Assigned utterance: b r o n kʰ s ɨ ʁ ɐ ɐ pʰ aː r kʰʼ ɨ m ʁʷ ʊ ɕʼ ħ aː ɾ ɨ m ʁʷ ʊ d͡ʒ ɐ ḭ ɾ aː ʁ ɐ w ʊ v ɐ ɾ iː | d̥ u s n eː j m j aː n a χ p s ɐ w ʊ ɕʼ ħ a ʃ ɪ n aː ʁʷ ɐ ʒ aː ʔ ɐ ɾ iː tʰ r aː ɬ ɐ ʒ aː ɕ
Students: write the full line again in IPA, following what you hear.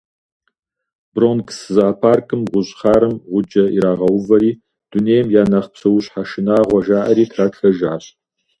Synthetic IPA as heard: b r o n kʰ s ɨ z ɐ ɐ pʰ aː r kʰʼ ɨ m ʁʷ ʊ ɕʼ χ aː ɾ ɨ m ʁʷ ʊ d͡ʒ ɐ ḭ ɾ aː ʁ ɐ w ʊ v ɐ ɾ iː | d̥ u n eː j m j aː n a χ p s ɐ w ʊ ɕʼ ħ a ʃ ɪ n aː ʁʷ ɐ ʒ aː ʔ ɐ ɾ iː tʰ r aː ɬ ɐ ʒ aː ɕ